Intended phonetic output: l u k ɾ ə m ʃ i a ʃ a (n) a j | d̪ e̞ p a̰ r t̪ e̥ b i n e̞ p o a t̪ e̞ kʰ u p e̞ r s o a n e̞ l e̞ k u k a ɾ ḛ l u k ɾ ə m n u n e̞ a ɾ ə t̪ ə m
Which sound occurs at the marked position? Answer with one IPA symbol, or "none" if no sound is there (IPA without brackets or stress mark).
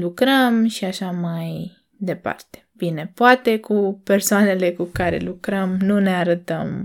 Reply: m